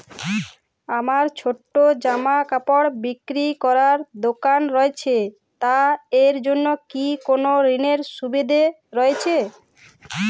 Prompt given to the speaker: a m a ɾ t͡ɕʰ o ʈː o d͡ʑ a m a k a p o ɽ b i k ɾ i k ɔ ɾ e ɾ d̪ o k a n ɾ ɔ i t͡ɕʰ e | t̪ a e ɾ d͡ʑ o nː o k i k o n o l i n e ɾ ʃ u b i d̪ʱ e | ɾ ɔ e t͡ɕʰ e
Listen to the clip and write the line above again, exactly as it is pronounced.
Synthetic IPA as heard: a m a ɾ t͡ɕʰ o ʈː o d͡ʑ a m a k a p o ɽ b i k ɾ i k ɔ ɾ a ɾ d̪ o k a n ɾ ɔ e t͡ɕʰ e | t̪ a e ɾ d͡ʑ o nː o k i k o n o ɾ i n e ɾ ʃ u b i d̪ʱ e | ɾ ɔ e t͡ɕʰ e